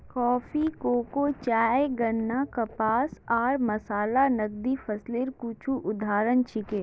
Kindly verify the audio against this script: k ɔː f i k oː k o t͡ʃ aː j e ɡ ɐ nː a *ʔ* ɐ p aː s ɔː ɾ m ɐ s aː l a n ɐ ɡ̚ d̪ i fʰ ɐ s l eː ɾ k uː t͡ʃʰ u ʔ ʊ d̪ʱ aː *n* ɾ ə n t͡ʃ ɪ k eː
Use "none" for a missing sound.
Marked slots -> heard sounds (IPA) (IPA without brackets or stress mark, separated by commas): k, none